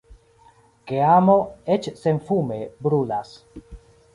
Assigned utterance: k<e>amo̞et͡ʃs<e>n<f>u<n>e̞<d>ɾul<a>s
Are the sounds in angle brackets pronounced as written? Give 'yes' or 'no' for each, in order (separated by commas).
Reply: yes, yes, yes, no, no, yes